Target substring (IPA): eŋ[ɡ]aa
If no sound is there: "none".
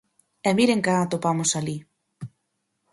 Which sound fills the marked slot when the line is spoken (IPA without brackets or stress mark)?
k